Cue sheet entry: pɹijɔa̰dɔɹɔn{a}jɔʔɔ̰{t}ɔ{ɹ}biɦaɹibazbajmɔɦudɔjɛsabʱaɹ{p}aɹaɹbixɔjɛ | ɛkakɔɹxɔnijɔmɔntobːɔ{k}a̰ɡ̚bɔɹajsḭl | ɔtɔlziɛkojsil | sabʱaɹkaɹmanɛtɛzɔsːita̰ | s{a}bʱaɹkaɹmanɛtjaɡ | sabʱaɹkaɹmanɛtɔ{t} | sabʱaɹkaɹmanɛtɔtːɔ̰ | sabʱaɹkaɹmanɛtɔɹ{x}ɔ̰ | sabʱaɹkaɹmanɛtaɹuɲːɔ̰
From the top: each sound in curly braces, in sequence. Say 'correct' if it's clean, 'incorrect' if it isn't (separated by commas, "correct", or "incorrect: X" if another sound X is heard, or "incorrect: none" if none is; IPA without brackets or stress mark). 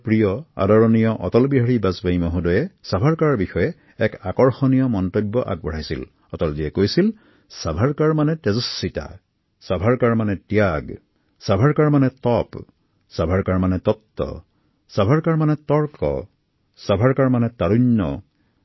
incorrect: i, correct, incorrect: l, incorrect: k, incorrect: ʔ, correct, incorrect: p, incorrect: k